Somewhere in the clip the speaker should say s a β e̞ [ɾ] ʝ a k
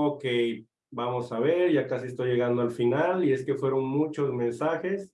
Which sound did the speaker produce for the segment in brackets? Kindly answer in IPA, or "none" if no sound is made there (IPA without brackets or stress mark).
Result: ɾ